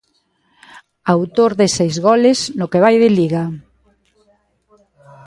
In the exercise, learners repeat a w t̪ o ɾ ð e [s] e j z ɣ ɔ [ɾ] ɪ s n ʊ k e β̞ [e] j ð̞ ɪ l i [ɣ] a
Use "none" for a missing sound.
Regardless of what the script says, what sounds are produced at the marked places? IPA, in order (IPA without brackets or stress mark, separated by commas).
s, l, a, ɣ